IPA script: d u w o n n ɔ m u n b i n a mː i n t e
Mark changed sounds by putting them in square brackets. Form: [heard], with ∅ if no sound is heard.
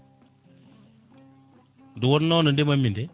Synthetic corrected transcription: d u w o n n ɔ [n] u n [d] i [m] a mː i n [d] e